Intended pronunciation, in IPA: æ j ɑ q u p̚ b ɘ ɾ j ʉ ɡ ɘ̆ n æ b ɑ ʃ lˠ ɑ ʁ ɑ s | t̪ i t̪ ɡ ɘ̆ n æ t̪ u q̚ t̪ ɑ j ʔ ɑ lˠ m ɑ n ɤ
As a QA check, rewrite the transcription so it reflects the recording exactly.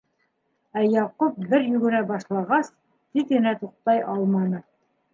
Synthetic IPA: æ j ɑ q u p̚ b ɘ ɾ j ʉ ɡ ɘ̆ n æ b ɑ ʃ lˠ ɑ ʁ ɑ s | t̪ i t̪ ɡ ɘ̆ n æ t̪ u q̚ t̪ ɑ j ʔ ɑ lˠ m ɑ n ɤ